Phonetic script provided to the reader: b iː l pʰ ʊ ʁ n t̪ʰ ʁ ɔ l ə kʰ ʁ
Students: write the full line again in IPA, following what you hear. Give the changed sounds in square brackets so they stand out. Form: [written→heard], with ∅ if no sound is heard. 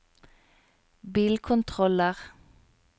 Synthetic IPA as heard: b iː l [pʰ→kʰ] ʊ [ʁ→∅] n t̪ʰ ʁ ɔ l ə [kʰ→∅] ʁ

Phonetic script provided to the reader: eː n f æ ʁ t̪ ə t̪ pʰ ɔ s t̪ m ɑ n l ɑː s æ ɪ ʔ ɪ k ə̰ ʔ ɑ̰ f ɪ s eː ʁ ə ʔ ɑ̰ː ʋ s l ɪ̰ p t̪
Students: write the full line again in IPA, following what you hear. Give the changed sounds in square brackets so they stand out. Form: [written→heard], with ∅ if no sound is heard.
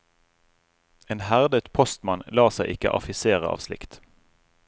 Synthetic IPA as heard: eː n [f→h] æ ʁ [t̪→d̪] ə t̪ pʰ ɔ s t̪ m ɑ n l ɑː s æ ɪ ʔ ɪ k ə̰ ʔ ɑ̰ f ɪ s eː ʁ ə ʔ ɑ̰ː ʋ s l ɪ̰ [p→k] t̪

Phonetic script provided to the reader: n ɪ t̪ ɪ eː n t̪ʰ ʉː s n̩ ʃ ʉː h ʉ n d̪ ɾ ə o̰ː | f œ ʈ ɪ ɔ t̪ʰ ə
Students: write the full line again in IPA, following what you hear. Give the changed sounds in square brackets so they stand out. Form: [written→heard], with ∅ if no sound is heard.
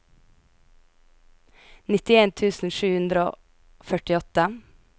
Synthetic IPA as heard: n ɪ t̪ ɪ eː n t̪ʰ ʉː s n̩ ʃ ʉː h ʉ n d̪ ɾ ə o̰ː | f œ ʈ ɪ ɔ [t̪ʰ→t̪] ə

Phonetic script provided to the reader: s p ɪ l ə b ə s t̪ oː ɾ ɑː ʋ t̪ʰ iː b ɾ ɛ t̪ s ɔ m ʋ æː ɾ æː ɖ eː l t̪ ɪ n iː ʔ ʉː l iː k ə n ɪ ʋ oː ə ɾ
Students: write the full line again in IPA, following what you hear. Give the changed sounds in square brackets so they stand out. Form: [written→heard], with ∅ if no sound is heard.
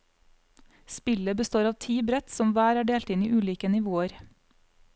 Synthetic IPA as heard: s p ɪ l ə b ə s t̪ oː ɾ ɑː ʋ t̪ʰ iː b ɾ ɛ t̪ s ɔ m ʋ æː ɾ æː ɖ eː l t̪ ɪ n iː ʔ ʉː l iː k ə n ɪ ʋ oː ə ɾ

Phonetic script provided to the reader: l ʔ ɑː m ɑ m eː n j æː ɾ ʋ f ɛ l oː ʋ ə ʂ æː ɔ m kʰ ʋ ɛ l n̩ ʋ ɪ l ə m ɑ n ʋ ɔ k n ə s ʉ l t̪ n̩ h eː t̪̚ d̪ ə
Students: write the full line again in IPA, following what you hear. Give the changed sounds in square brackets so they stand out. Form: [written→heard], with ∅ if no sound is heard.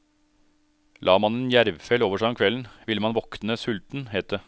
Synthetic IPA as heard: l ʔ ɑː m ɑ [m→n] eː n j [æː→æ] ɾ ʋ f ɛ l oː ʋ ə ʂ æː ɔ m kʰ ʋ ɛ l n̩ ʋ ɪ l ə m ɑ n ʋ ɔ k n ə s ʉ l t̪ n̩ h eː t̪̚ d̪ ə

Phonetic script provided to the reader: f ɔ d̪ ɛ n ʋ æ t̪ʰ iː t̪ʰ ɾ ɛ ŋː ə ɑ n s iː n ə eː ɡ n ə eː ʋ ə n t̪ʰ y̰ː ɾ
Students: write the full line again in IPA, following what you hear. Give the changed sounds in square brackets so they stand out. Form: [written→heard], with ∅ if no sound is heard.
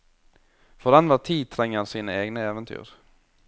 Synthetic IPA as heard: f ɔ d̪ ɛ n ʋ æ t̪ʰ iː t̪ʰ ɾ ɛ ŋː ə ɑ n s iː n ə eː ɡ n ə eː ʋ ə n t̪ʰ y̰ː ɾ

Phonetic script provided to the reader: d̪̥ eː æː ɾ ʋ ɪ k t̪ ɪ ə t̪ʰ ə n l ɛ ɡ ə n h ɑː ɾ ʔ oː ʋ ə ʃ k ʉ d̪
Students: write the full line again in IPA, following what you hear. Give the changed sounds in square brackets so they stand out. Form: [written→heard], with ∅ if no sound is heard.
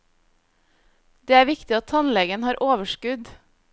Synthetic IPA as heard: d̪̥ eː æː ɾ ʋ ɪ k t̪ ɪ [ə→ɑ] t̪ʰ [ə→ɑ] n l ɛ ɡ ə n h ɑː ɾ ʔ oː ʋ ə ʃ k ʉ d̪

